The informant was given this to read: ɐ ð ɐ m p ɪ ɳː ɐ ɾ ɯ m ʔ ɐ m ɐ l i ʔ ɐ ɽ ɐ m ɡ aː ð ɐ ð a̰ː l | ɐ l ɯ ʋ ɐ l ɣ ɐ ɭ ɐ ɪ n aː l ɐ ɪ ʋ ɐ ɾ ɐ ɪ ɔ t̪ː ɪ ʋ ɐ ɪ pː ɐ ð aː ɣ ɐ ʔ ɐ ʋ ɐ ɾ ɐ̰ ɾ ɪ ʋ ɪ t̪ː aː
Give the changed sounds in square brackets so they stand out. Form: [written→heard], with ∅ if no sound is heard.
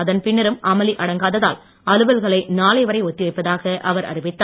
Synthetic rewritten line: ɐ ð ɐ [m→n] p ɪ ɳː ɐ ɾ ɯ m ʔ ɐ m ɐ l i ʔ ɐ ɽ ɐ [m→ŋ] ɡ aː ð ɐ ð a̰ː l | ɐ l ɯ ʋ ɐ l ɣ ɐ ɭ ɐ ɪ n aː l ɐ ɪ ʋ ɐ ɾ ɐ ɪ ɔ t̪ː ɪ ʋ ɐ ɪ pː ɐ ð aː ɣ ɐ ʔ ɐ ʋ ɐ ɾ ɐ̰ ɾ ɪ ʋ ɪ t̪ː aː